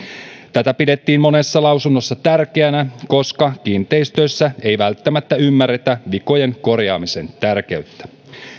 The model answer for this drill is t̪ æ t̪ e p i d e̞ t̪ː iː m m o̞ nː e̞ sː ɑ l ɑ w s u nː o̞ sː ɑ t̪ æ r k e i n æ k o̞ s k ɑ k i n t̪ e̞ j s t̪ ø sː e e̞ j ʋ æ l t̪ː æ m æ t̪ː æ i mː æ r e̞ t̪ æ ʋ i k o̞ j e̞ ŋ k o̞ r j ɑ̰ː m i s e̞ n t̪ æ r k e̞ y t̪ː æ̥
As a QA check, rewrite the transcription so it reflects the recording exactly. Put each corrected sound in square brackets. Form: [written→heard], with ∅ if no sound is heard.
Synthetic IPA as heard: t̪ æ t̪ [e→æ] p i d e̞ t̪ː iː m m o̞ [nː→n] e̞ sː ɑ l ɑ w s u nː o̞ sː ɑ t̪ æ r k e [i→æ] n æ k o̞ s k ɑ k i n t̪ e̞ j s t̪ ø sː [e→æ] e̞ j ʋ æ l t̪ː æ m æ t̪ː æ [i→y] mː æ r e̞ t̪ æ ʋ i k o̞ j e̞ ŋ k o̞ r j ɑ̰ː m i s e̞ n t̪ æ r k e̞ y t̪ː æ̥